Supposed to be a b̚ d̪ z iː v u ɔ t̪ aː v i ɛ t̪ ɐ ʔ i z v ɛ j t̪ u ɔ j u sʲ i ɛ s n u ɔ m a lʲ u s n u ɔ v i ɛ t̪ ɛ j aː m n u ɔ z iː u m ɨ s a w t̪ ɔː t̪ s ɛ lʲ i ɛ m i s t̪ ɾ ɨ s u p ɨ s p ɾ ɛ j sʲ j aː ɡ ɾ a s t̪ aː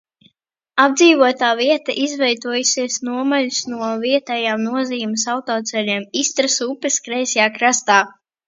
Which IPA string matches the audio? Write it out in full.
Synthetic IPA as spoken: a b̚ d̪ z iː v u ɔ t̪ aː v i ɛ t̪ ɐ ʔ i z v ɛ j t̪ u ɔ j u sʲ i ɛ s n u ɔ m a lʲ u s n u ɔ v i ɛ t̪ ɛ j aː m n u ɔ z iː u m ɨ s a w t̪ ɔː t̪ s ɛ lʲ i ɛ m i s t̪ ɾ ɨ s u p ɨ s k ɾ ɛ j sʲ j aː k ɾ a s t̪ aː